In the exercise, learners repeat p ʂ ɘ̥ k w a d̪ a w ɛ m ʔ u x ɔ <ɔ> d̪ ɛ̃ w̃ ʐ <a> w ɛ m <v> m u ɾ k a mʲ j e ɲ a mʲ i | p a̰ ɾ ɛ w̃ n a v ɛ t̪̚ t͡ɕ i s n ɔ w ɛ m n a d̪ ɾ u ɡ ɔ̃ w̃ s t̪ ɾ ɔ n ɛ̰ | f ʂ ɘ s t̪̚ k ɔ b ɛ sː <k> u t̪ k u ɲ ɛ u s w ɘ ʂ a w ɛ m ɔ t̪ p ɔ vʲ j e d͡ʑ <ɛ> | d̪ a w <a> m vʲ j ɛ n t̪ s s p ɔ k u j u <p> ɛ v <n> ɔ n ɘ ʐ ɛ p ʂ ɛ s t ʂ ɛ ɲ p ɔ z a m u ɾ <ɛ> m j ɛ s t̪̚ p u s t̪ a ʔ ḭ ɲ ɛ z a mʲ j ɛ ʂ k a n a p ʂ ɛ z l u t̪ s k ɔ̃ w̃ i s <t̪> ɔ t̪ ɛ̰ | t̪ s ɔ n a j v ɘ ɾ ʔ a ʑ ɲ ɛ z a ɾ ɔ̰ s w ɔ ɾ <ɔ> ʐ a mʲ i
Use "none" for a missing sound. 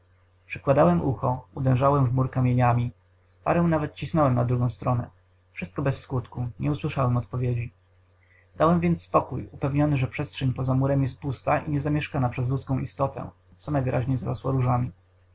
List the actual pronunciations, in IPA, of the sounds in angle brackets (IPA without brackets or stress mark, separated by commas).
u, a, v, k, i, ɛ, p, ɲ, ɛ, t̪, u